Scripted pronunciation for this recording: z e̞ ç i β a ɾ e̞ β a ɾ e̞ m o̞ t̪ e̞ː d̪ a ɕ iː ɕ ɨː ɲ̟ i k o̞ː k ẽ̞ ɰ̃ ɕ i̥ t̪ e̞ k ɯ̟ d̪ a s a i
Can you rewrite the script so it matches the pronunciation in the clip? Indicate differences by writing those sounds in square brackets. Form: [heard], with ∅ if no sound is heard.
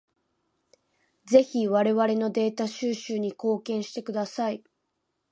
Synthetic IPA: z e̞ ç i β a ɾ e̞ β a ɾ e̞ [n] o̞ [d̪] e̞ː [t̪] a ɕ [ɨː] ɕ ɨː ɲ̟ i k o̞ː k ẽ̞ ɰ̃ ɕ i̥ t̪ e̞ k ɯ̟ d̪ a s a i